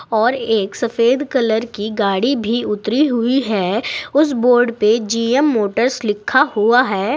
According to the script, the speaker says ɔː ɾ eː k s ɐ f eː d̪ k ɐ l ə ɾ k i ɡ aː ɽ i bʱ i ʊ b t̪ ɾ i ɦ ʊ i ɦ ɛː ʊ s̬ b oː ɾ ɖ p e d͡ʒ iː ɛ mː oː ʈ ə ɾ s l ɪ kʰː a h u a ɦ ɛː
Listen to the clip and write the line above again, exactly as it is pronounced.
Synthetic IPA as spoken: ɔː ɾ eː k s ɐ f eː d̪ k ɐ l ə ɾ k i ɡ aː ɽ i bʱ i ʊ t̪ ɾ i ɦ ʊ i ɦ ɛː ʊ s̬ b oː ɾ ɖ p e d͡ʒ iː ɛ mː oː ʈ ə ɾ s l ɪ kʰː a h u a ɦ ɛː